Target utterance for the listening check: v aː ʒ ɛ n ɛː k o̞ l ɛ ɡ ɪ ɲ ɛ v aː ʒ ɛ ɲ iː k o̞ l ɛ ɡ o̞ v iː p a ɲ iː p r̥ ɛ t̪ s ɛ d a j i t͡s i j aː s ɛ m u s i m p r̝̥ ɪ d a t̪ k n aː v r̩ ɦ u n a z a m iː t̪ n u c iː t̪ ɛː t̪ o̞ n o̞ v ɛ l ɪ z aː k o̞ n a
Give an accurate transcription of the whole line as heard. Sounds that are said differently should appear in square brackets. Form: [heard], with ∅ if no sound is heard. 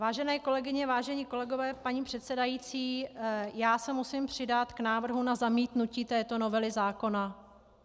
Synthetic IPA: v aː ʒ ɛ n ɛː k o̞ l ɛ ɡ ɪ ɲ ɛ v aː ʒ ɛ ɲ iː k o̞ l ɛ ɡ o̞ v [ɛː] p a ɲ iː p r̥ ɛ t̪ s ɛ d a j i t͡s [iː] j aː s ɛ m u s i m p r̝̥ ɪ d a t̪ k n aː v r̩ ɦ u n a z a m iː t̪ n u c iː t̪ ɛː t̪ o̞ n o̞ v ɛ l ɪ z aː k o̞ n a